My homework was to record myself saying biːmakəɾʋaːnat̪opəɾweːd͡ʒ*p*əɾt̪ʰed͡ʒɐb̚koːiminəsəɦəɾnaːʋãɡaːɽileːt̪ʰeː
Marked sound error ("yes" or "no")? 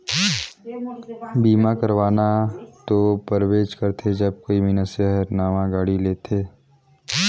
yes